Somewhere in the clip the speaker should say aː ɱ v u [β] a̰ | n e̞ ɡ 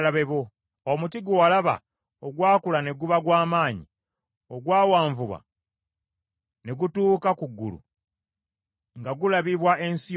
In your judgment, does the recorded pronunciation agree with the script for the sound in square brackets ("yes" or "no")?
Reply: yes